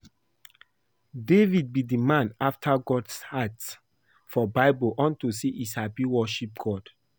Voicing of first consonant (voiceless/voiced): voiced